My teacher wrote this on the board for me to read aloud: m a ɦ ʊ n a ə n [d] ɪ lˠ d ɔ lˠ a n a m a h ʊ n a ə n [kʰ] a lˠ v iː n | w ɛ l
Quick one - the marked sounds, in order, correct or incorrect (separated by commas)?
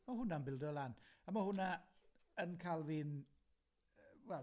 incorrect, correct